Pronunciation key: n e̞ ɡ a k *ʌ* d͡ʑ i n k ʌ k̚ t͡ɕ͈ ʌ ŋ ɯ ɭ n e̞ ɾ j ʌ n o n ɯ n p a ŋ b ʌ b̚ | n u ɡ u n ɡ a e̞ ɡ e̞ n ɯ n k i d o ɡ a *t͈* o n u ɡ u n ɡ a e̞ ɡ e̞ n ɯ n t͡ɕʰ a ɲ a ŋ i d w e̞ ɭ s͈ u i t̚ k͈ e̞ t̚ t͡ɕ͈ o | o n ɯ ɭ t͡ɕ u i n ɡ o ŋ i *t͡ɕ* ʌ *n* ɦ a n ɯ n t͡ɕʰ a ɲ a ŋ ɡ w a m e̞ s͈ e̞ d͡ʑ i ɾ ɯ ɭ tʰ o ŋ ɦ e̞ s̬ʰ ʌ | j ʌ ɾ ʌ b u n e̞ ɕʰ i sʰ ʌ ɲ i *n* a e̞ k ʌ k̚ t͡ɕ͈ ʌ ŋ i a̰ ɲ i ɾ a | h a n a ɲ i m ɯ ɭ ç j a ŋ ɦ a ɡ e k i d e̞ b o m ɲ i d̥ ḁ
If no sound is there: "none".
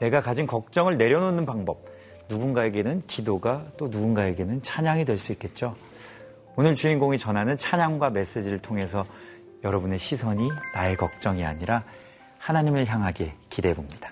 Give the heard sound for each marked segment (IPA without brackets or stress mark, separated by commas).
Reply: a, t͈, t͡ɕ, n, n